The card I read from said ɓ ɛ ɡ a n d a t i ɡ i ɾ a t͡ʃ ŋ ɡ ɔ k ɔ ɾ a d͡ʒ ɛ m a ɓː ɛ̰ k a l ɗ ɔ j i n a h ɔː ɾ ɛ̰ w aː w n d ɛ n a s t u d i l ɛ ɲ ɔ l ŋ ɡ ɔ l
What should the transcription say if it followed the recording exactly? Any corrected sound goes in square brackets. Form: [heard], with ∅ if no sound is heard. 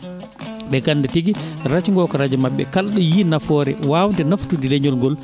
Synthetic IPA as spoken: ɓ ɛ ɡ a n d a t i ɡ i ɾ a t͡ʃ ŋ ɡ ɔ k ɔ ɾ a d͡ʒ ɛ m a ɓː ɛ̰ k a l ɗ ɔ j i n a [f] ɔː ɾ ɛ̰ w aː w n d ɛ n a [f] t u d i l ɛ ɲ ɔ l ŋ ɡ ɔ l